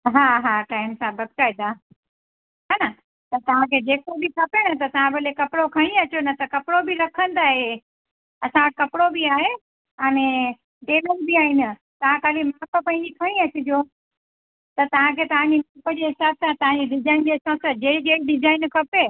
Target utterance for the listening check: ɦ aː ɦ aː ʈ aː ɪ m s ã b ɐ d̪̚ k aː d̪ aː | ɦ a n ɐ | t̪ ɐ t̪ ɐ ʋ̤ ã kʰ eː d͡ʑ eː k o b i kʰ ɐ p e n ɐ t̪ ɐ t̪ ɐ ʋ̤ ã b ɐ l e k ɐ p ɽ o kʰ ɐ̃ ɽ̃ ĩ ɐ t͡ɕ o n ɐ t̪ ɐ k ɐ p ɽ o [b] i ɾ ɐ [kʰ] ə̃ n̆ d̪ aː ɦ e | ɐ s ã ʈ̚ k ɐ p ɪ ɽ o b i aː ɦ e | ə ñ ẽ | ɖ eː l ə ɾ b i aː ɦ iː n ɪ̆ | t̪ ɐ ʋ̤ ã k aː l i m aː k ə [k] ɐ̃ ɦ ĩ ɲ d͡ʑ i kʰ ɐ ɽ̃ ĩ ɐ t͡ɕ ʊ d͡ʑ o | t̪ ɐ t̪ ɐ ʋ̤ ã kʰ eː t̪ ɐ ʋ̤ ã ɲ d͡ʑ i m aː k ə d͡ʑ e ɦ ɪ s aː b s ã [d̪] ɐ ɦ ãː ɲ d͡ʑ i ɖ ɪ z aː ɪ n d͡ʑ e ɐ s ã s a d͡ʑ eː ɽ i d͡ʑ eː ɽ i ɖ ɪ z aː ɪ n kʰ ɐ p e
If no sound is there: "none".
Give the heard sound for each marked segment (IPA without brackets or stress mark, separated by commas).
b, kʰ, p, t̪